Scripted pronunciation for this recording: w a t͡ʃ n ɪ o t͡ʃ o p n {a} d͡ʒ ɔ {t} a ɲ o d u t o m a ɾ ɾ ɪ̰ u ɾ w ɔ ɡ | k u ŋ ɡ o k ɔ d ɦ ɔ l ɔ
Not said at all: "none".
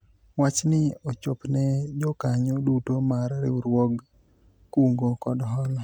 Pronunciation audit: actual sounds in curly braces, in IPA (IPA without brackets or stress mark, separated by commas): ɛ, k